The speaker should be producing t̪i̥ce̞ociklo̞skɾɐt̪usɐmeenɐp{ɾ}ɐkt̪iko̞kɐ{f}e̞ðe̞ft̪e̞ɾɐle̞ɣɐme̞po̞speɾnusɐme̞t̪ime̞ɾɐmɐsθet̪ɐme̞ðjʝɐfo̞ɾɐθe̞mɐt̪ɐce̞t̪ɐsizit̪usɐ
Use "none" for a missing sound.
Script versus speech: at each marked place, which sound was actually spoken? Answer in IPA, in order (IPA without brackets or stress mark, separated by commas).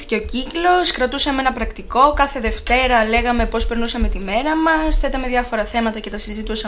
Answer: ɾ, θ